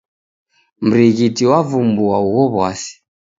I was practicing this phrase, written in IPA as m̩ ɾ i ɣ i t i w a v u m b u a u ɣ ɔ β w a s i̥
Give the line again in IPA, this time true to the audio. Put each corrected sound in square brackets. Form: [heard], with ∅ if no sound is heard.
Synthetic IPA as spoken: m̩ ɾ i ɣ i t i w a v u m b u a u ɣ ɔ β w a s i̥

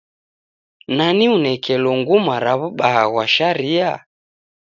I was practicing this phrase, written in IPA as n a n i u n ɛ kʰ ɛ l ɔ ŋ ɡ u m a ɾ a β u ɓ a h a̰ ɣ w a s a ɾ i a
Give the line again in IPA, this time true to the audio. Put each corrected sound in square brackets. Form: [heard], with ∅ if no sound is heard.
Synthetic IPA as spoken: n a n i u n ɛ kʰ ɛ l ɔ ŋ ɡ u m a ɾ a β u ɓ a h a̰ ɣ w a [ʃ] a ɾ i a

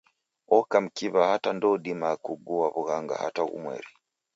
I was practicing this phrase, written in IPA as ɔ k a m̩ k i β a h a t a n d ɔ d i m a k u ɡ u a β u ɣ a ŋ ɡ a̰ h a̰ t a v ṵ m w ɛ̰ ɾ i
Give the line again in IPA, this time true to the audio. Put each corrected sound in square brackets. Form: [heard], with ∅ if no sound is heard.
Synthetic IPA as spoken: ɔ k a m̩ k i β a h a t a n d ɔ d i m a k u ɡ u a β u ɣ a ŋ ɡ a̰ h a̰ t a [ɣ] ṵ m w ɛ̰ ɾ i

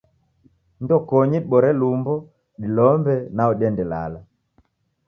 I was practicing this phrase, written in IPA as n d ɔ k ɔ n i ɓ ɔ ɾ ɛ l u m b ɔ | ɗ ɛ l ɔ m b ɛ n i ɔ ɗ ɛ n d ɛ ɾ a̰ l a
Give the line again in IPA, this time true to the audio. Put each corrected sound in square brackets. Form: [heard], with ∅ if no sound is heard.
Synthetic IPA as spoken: n d ɔ k ɔ [ɲ] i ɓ ɔ ɾ ɛ l u m b ɔ | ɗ [i] l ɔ m b ɛ n [a] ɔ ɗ ɛ n d ɛ [l] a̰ l a

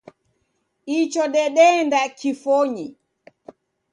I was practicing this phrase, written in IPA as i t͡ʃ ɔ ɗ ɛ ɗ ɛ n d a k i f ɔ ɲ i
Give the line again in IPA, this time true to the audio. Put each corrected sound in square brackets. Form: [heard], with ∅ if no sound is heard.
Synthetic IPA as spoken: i t͡ʃ ɔ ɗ ɛ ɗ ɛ n d a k i f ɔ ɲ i

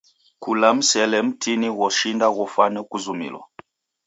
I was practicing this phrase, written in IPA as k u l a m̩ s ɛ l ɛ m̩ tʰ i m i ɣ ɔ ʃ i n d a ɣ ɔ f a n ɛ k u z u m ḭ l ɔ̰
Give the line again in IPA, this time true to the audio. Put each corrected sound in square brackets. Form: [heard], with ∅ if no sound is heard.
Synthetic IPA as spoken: k u l a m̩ s ɛ l ɛ m̩ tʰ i [n] i ɣ ɔ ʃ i n d a ɣ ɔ f a n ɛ k u z u m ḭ l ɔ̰

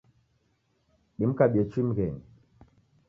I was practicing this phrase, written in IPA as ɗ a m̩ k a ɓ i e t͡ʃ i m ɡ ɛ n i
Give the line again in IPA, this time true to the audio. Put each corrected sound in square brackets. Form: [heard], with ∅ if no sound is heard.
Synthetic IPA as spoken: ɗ [i] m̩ k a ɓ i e t͡ʃ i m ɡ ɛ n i

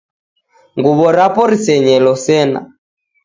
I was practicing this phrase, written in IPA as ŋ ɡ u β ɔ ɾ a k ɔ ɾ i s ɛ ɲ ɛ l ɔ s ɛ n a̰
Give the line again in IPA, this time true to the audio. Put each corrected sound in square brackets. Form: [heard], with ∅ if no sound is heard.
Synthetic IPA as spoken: ŋ ɡ u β ɔ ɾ a [p] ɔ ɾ i s ɛ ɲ ɛ l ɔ s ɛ n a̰

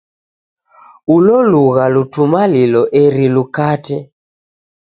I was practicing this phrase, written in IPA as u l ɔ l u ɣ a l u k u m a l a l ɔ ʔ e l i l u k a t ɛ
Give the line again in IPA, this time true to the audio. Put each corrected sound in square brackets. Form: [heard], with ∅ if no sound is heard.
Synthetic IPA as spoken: u l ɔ l u ɣ a l u [t] u m a l [i] l ɔ ʔ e [ɾ] i l u k a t ɛ

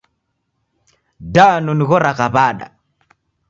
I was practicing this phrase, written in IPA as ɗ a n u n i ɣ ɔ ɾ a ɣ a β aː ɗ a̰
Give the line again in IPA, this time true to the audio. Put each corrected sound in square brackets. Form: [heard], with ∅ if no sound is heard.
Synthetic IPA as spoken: [d] a n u n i ɣ ɔ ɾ a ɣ a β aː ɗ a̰

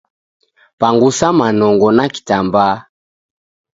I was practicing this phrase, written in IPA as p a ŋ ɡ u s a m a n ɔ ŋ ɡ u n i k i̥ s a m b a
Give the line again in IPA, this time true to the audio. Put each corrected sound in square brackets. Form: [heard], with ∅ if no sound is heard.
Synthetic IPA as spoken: p a ŋ ɡ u s a m a n ɔ ŋ ɡ [ɔ] n [a] k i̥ [t] a m b a

